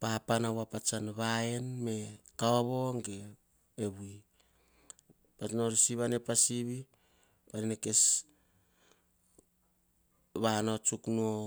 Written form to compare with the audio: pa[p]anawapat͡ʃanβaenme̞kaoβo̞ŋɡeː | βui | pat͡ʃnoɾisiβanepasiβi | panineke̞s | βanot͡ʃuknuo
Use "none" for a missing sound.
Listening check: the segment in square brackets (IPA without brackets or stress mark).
p